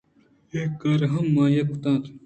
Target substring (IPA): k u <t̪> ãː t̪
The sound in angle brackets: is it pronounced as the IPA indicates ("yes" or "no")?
yes